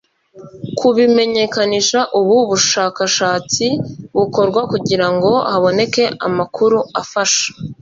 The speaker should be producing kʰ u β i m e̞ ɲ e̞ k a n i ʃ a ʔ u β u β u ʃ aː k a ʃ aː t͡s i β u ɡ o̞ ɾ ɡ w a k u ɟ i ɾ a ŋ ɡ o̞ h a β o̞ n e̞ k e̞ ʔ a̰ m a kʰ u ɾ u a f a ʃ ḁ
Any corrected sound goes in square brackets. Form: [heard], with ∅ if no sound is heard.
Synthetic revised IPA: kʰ u β i m e̞ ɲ e̞ k a n i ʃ a ʔ u β u β u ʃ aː k a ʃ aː t͡s i β u [k] o̞ ɾ ɡ w a k u ɟ i ɾ a ŋ ɡ o̞ h a β o̞ n e̞ k e̞ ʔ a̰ m a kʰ u ɾ u a f a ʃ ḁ